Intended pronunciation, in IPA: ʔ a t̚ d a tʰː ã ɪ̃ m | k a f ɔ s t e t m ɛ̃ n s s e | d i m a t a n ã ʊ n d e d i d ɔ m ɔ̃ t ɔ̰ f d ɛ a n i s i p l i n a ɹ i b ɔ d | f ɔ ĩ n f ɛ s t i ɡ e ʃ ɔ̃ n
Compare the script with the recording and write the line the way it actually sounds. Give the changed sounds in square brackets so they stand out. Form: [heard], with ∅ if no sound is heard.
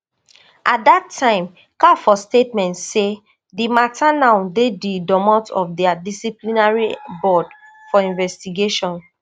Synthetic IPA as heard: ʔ a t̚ d a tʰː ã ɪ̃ m | k a f ɔ s t e t m ɛ̃ n [t] s e | d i m a t a n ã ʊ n d e d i d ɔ m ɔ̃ t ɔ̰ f d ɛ a [d] i s i p l i n a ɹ i b ɔ d | f ɔ ĩ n [v] ɛ s t i ɡ e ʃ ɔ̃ n